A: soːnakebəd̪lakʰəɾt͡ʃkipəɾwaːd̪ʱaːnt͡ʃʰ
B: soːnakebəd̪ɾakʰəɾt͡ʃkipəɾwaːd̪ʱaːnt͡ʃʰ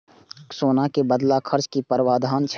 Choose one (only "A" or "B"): A